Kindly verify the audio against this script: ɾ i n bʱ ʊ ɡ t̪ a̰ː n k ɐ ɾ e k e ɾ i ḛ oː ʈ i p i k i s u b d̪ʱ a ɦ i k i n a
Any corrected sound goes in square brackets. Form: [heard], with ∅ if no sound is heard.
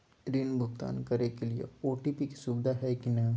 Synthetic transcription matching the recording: ɾ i n bʱ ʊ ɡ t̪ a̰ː n k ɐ ɾ e k e [l] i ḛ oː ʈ i p i k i s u b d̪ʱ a ɦ [ɛ] k i n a

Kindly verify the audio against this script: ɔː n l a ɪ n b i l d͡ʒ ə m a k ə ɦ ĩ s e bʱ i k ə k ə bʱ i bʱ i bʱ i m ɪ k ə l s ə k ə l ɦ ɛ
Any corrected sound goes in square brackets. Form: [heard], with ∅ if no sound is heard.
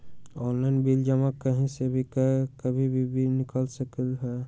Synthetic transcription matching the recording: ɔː n l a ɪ n b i l d͡ʒ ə m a k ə ɦ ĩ s e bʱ i k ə k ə bʱ i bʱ i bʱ i [n] ɪ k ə l s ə k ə l ɦ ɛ

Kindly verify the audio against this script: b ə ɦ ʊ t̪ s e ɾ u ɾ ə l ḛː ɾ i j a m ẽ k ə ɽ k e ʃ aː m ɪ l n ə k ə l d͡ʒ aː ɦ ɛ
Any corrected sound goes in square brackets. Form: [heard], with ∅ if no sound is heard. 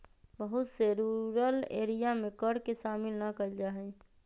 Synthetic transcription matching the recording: b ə ɦ ʊ t̪ s e ɾ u ɾ ə l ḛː ɾ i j a m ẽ k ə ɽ k e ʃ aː m ɪ l n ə k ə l d͡ʒ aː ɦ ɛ

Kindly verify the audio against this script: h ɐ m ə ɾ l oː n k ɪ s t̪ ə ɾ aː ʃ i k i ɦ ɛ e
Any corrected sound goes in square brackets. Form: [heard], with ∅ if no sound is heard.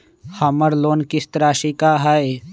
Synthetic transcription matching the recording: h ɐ m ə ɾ l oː n k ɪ s t̪ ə ɾ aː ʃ i k [a] ɦ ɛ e

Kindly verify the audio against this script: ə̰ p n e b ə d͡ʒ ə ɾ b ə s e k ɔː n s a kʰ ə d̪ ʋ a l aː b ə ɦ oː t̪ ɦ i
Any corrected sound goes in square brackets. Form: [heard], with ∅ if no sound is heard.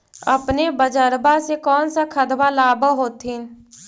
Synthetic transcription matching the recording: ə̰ p n e b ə d͡ʒ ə ɾ b [a] s e k ɔː n s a kʰ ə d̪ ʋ a l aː b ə ɦ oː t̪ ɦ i

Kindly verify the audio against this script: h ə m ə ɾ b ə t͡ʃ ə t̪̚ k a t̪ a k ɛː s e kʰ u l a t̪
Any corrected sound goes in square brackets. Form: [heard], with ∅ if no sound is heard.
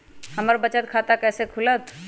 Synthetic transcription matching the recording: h ə m ə ɾ b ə t͡ʃ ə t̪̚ [kʰ] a t̪ a k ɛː s e kʰ u l [ə] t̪

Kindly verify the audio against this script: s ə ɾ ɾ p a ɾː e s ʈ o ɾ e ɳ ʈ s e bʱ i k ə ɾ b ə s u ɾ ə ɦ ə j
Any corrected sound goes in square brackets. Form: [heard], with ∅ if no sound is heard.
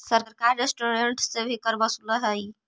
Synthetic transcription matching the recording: s ə ɾ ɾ [k] a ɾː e s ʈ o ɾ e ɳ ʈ s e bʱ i k ə ɾ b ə s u [l] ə ɦ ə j

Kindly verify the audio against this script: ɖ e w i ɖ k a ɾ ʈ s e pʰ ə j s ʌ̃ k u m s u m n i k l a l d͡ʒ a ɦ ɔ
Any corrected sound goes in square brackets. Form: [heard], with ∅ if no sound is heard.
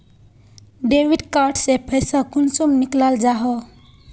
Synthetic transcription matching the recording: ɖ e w i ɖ k a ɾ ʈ s e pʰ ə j s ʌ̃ k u [n] s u m n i k l a l d͡ʒ a ɦ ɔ

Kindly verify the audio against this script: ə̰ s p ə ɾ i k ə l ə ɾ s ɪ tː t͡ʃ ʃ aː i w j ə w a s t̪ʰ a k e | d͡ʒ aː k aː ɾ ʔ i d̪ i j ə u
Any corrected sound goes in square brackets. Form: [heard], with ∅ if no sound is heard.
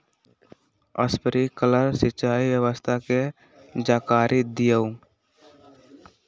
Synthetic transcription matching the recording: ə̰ s p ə ɾ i k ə l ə ɾ s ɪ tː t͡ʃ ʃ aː i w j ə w [ə] s t̪ʰ a k e | d͡ʒ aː k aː ɾ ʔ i d̪ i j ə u

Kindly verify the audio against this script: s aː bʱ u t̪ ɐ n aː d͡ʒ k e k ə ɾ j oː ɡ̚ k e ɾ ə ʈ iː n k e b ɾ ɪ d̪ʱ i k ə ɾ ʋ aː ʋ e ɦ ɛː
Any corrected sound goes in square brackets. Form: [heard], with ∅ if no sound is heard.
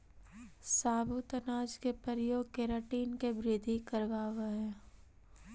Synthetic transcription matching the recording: s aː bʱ u t̪ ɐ n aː d͡ʒ k e [p] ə ɾ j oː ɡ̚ k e ɾ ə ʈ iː n k e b ɾ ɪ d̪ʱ i k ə ɾ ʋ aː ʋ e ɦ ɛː

